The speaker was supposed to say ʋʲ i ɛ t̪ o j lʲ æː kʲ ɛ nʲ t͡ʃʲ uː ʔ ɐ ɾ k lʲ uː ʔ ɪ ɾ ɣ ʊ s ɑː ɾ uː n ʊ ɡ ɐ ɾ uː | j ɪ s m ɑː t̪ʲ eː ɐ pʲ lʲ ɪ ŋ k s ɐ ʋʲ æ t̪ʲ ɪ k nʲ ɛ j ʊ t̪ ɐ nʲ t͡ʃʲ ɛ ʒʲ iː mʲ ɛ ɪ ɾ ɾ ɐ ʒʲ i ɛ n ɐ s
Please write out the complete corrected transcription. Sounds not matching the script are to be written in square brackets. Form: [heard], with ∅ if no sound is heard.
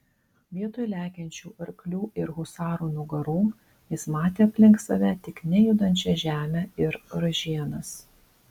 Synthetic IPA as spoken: ʋʲ i ɛ t̪ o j lʲ æː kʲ ɛ nʲ t͡ʃʲ uː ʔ ɐ ɾ k lʲ uː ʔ ɪ ɾ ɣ ʊ s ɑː ɾ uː n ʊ ɡ ɐ ɾ uː | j ɪ s m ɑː t̪ʲ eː ɐ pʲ lʲ ɪ ŋ k s ɐ ʋʲ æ t̪ʲ ɪ k nʲ ɛ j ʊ [d̪] ɐ nʲ t͡ʃʲ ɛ ʒʲ [æː] mʲ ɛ ɪ ɾ ɾ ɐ ʒʲ i ɛ n ɐ s